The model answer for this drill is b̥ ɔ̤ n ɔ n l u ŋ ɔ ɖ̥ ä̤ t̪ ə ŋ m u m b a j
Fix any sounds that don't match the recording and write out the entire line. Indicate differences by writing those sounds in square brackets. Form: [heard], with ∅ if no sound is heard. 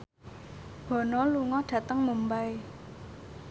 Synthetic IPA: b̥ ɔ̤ n ɔ [∅] l u ŋ ɔ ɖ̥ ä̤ t̪ ə ŋ m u m b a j